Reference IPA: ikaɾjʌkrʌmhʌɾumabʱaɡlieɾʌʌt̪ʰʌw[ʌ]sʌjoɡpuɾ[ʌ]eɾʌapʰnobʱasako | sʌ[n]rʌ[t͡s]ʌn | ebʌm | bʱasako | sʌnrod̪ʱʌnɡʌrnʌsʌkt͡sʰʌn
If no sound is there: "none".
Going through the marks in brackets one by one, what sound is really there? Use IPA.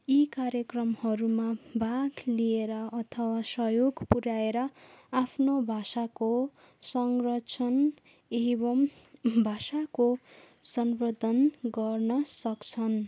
a, a, ŋ, t͡sʰ

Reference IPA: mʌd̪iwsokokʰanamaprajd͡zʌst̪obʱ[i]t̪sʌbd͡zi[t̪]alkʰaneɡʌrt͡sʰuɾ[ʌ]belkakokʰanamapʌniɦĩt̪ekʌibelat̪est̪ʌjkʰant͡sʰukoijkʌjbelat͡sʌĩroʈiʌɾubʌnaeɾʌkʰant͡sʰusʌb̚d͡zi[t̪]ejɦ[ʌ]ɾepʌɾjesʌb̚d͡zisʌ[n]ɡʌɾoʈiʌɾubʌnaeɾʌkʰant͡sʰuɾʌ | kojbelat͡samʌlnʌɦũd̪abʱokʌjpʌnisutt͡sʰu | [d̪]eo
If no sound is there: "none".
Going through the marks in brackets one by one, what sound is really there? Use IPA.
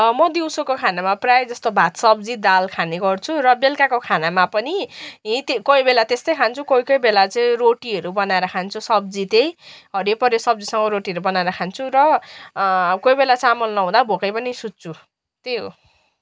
a, d̪, ʌ, t̪, ʌ, ŋ, t̪

